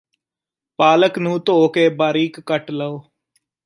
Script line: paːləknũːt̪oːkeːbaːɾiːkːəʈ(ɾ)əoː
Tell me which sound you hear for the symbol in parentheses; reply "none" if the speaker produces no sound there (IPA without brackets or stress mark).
l